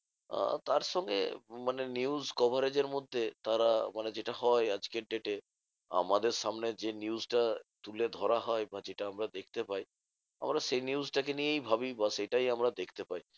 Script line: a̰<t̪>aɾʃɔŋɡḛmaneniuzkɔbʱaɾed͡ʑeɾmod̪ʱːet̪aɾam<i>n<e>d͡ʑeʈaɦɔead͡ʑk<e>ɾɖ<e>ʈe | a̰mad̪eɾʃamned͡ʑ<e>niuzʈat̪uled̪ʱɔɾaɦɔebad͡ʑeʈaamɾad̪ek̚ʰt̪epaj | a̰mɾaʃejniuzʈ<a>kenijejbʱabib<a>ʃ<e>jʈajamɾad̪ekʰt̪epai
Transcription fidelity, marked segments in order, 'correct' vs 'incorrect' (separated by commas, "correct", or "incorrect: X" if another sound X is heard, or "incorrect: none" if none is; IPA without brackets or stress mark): correct, incorrect: a, correct, correct, correct, correct, correct, correct, correct